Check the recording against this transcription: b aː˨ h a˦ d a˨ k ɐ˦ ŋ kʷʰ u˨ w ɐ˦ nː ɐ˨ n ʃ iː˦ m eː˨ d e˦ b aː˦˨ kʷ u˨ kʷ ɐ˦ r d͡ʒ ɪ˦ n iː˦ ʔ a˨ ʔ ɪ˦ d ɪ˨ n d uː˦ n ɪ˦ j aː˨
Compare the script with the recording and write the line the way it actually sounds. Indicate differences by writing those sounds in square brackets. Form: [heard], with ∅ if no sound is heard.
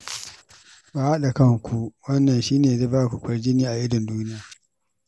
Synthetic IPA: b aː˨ h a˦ [ɗ] a˨ k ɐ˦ ŋ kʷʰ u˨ w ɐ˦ nː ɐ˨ n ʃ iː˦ [n] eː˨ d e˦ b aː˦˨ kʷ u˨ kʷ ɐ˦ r d͡ʒ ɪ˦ n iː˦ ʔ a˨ ʔ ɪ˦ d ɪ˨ n d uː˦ n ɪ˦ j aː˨